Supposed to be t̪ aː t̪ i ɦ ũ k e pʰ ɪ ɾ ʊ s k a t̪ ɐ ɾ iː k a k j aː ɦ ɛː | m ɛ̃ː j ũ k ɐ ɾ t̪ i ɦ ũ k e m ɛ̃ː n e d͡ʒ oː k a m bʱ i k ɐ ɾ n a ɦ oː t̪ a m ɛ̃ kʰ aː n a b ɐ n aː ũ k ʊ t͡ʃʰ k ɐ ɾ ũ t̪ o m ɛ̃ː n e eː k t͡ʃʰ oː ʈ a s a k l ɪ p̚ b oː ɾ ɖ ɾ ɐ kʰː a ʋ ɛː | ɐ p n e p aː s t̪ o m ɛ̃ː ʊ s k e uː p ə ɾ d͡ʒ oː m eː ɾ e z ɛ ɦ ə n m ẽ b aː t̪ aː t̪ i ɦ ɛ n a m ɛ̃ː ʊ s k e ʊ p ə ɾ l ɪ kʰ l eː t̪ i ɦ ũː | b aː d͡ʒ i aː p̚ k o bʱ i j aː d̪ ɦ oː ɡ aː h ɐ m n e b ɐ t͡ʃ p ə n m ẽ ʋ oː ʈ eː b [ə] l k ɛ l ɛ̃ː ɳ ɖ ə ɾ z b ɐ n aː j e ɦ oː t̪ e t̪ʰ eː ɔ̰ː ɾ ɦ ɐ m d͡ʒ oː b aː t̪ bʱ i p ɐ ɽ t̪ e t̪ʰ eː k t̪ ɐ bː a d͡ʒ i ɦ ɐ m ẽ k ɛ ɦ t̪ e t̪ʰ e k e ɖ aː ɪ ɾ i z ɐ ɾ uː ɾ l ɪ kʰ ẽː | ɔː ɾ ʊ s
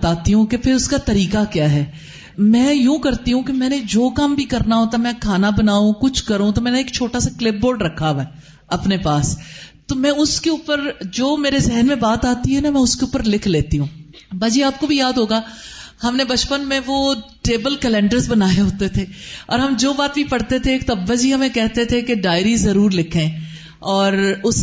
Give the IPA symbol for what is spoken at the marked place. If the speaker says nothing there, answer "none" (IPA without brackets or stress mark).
ə